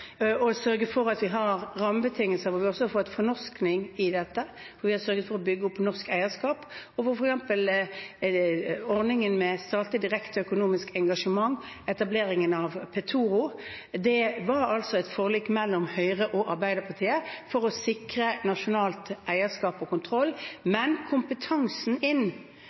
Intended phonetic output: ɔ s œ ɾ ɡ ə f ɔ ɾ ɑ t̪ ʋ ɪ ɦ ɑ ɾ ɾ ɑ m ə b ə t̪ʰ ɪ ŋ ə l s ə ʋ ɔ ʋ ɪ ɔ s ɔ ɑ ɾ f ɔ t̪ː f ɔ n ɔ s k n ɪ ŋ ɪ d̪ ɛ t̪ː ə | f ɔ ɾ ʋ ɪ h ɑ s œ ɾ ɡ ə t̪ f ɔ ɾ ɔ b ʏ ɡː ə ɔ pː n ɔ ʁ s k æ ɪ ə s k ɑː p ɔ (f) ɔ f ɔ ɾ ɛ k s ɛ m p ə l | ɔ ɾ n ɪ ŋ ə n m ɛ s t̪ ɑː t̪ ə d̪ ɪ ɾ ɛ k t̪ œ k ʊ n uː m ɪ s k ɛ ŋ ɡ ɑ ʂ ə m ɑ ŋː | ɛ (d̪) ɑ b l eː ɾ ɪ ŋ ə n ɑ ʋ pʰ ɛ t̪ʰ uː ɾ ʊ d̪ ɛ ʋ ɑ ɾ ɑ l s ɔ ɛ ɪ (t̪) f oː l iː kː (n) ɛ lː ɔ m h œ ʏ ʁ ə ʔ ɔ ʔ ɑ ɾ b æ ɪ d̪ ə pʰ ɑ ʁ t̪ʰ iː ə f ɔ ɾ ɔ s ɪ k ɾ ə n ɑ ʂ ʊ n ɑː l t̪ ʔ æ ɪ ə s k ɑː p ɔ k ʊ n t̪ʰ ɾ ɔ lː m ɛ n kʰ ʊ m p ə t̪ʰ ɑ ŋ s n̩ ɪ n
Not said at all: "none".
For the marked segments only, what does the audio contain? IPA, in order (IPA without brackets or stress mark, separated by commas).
f, t̪, t̪, m